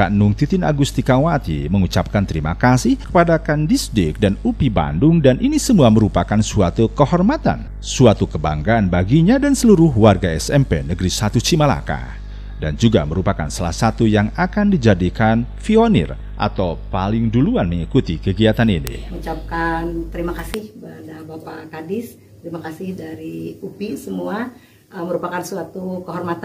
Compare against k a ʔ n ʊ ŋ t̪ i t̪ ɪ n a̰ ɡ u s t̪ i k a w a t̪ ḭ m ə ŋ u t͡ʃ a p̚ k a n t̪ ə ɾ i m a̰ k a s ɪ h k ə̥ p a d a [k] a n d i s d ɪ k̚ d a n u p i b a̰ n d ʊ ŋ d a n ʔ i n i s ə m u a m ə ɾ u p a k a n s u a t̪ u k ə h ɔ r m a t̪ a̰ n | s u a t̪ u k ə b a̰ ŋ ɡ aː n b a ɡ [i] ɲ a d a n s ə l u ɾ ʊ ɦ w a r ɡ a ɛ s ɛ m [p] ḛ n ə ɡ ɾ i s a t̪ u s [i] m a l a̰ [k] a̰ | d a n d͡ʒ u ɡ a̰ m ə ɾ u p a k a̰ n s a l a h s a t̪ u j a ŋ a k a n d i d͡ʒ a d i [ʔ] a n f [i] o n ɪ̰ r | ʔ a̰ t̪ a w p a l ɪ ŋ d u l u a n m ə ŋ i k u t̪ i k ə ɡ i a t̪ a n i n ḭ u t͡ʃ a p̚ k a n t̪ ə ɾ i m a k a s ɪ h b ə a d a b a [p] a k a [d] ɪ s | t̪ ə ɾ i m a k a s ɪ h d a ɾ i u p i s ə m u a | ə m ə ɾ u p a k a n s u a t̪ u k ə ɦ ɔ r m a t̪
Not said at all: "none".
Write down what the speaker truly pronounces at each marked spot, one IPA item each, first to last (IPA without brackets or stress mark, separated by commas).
k, i, p, i, k, k, i, p, d